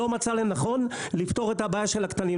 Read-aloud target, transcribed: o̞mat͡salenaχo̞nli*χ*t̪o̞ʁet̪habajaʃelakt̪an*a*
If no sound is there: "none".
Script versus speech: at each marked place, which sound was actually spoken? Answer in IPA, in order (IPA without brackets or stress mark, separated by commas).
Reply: f, i